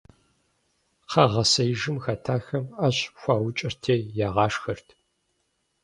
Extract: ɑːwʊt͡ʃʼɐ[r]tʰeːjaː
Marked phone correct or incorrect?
correct